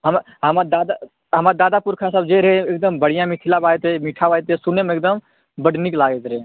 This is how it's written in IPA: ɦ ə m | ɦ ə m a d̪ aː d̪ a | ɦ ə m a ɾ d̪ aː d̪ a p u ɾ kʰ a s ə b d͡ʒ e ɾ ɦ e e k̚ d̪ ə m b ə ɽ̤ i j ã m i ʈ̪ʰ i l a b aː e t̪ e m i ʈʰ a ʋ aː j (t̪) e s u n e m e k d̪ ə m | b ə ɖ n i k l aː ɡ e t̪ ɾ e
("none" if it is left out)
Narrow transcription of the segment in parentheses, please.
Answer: t̪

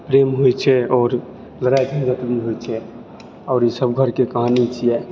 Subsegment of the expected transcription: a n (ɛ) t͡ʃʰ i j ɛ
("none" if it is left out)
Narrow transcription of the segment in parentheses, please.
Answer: i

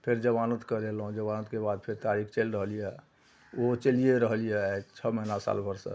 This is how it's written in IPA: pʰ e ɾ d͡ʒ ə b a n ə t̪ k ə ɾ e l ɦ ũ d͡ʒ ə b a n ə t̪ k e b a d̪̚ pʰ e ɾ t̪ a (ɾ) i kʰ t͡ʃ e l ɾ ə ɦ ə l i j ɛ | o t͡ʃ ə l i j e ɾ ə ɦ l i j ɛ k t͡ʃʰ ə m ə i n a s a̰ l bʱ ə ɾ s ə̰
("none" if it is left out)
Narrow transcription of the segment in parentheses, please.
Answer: ɾ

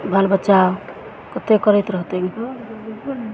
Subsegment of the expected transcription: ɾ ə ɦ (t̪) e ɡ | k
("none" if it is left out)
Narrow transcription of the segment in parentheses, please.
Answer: t̪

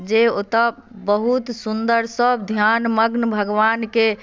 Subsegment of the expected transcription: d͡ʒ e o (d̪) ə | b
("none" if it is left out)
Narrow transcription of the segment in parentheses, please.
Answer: t̪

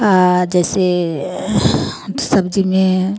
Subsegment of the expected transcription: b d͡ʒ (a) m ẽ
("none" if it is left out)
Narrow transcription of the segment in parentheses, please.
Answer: i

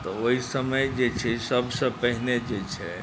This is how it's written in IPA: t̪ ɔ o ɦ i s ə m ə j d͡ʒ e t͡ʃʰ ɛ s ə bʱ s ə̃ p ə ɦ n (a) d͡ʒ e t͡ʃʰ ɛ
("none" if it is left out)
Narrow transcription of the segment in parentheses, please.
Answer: e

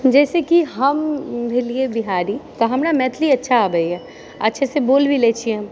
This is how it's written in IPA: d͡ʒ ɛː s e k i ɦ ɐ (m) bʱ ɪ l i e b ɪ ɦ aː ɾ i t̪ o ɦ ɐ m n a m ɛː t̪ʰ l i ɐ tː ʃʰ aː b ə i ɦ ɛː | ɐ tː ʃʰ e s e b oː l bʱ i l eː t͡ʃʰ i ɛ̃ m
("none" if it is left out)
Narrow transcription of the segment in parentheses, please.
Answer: m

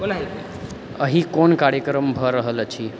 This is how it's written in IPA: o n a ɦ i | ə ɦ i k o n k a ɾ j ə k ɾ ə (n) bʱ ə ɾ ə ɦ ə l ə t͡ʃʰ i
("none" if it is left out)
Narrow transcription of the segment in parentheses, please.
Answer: m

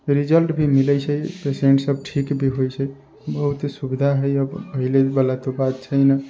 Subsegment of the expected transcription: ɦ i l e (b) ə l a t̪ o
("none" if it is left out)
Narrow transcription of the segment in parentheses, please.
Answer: b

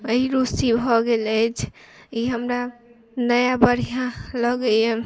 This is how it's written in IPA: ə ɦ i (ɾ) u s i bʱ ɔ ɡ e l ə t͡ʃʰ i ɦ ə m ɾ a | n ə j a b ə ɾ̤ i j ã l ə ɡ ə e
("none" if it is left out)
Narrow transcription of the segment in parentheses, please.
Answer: ɾ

